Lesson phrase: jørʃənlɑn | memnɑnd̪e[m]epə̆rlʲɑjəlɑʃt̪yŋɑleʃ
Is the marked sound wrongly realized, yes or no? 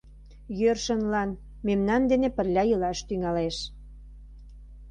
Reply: yes